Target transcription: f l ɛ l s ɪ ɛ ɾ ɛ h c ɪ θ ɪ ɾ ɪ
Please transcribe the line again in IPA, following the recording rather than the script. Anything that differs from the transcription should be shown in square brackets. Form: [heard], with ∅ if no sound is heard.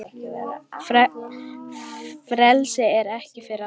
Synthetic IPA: f [ɾ] ɛ l s ɪ ɛ ɾ ɛ h c ɪ [f] ɪ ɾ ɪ